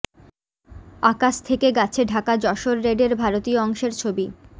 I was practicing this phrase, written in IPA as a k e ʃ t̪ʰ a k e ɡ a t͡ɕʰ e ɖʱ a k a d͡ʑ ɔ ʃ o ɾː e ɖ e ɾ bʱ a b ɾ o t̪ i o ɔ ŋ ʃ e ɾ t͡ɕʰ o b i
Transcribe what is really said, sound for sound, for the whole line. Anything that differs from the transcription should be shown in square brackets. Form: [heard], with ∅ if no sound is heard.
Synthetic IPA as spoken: a k [a] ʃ t̪ʰ [e] k e ɡ a t͡ɕʰ e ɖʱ a k a d͡ʑ ɔ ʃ o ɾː e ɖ e ɾ bʱ a [∅] ɾ o t̪ i o ɔ ŋ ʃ e ɾ t͡ɕʰ o b i